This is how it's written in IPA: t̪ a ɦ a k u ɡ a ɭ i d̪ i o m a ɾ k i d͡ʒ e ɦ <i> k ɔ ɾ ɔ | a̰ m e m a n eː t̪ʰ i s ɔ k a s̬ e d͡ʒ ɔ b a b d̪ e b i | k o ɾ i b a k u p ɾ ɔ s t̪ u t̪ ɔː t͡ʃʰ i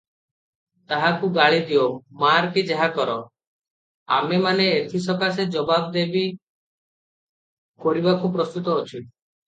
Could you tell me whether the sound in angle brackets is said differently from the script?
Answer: yes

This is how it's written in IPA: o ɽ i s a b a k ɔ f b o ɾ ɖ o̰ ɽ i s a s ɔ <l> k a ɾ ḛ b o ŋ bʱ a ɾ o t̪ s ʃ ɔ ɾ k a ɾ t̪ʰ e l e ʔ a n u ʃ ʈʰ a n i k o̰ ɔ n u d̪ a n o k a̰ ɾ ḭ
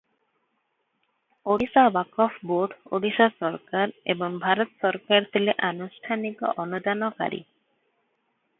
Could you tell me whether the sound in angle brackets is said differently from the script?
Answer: yes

